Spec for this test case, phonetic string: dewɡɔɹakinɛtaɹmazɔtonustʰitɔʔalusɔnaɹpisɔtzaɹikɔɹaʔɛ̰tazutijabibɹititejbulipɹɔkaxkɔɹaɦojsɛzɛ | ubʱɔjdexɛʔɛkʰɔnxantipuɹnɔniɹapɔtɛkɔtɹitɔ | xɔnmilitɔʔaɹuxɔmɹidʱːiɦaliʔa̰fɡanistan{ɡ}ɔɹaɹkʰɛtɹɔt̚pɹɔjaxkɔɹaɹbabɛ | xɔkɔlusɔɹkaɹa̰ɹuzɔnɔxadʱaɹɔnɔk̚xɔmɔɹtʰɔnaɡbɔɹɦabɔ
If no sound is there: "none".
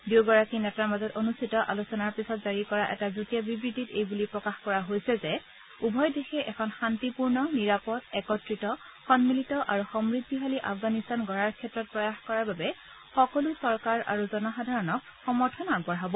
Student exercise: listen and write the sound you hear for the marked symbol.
ɡ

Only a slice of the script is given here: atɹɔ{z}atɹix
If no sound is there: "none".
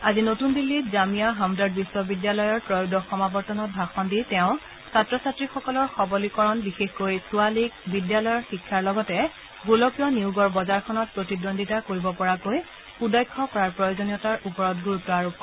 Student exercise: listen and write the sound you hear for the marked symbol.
s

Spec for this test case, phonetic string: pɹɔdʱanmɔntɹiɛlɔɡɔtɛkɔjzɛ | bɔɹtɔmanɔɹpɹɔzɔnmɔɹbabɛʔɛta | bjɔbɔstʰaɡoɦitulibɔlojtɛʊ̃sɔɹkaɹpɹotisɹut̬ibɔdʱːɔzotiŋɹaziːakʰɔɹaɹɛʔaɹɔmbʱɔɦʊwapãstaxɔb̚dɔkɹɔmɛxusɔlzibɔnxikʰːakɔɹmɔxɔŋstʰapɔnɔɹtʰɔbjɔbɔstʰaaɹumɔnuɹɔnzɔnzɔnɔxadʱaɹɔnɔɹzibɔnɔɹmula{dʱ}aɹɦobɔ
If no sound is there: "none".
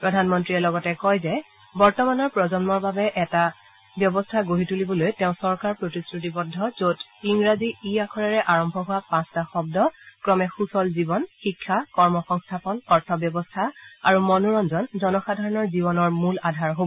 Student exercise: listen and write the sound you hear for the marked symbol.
dʱ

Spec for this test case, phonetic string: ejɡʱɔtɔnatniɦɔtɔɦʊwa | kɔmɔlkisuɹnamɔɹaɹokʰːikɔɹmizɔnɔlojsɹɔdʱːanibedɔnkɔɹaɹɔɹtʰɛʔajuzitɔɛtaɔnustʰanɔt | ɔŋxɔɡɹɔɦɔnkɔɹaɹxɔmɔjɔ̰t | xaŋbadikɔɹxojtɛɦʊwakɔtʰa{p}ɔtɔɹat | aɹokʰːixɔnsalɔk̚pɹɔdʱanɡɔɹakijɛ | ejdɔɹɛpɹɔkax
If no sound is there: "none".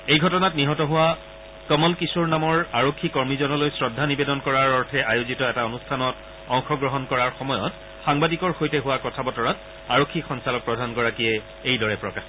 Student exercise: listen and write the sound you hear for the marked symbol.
b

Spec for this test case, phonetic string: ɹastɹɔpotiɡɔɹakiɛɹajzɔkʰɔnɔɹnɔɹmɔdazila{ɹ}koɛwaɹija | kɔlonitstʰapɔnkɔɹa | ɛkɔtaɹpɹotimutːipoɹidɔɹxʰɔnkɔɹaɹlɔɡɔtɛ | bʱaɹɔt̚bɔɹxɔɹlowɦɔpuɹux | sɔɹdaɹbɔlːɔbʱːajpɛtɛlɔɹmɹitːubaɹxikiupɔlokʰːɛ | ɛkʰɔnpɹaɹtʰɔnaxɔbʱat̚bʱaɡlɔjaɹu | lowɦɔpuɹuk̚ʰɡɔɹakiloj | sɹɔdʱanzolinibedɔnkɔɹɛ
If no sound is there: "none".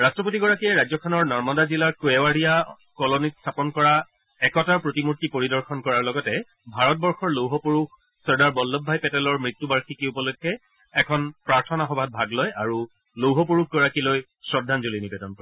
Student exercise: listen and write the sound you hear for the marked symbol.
ɹ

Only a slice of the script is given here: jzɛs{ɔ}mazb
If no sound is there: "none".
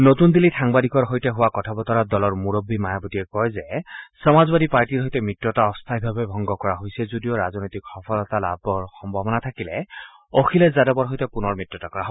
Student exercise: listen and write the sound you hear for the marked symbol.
ɔ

